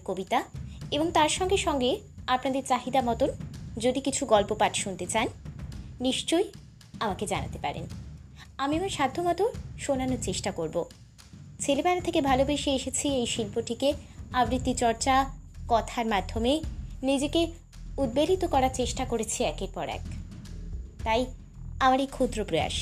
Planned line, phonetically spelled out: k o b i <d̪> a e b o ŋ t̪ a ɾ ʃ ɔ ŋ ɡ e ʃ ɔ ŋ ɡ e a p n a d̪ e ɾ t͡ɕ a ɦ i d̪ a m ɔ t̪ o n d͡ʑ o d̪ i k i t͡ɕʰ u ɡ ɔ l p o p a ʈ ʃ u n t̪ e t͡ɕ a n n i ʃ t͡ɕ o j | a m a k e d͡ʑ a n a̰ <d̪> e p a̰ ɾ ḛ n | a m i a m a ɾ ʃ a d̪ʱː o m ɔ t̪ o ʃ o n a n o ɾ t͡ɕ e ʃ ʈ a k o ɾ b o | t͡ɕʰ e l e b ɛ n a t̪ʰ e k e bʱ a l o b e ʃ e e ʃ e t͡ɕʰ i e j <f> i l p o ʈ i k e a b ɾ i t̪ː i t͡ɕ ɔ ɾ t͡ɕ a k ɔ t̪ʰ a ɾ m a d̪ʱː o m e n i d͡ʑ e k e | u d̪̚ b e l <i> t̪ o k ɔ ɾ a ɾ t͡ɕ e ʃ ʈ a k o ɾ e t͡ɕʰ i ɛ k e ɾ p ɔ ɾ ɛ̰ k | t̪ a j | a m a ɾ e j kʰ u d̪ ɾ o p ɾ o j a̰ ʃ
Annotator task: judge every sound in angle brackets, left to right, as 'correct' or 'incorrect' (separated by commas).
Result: incorrect, incorrect, incorrect, correct